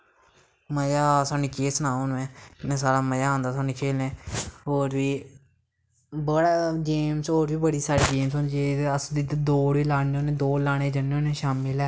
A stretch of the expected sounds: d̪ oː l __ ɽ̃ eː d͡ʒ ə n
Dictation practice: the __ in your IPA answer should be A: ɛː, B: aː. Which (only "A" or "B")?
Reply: B